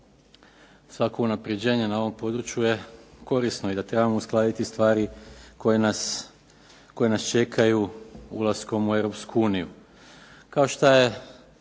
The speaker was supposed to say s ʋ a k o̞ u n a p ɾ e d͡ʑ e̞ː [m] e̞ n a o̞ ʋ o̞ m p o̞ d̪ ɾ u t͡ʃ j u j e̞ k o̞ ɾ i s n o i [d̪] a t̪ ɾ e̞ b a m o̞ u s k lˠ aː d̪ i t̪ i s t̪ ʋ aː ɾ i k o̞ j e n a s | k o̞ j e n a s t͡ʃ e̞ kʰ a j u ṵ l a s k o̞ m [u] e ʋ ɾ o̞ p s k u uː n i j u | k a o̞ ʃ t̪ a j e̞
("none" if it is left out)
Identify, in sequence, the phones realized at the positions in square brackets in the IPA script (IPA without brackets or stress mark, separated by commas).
ɲ, d̪, u